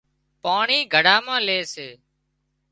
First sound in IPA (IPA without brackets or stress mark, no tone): p